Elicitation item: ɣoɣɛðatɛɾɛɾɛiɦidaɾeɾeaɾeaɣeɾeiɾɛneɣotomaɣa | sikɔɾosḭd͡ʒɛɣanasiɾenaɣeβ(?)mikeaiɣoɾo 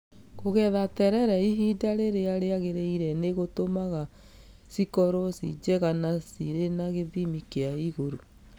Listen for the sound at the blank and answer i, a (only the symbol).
i